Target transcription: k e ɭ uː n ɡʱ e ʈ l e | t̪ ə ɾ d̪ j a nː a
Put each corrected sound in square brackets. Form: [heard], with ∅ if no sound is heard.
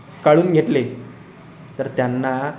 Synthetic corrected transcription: k [a] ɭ uː n ɡʱ e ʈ l e | t̪ ə ɾ [t̪] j a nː a